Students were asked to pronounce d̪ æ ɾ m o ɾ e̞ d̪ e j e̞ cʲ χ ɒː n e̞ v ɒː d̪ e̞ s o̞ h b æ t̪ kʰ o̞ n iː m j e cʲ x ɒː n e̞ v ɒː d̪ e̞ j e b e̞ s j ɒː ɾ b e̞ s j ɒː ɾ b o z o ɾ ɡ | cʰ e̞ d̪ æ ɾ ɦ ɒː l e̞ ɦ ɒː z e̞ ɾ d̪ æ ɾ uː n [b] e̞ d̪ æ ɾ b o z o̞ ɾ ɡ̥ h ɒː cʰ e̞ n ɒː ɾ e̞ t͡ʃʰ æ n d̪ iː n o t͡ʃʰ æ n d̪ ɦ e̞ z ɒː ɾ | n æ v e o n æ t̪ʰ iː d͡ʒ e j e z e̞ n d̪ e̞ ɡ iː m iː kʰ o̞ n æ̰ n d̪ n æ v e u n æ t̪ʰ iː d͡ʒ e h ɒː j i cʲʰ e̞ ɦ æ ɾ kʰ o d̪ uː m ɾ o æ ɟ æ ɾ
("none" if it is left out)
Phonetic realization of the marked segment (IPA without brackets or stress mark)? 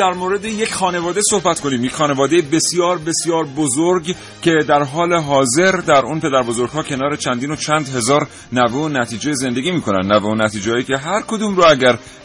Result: p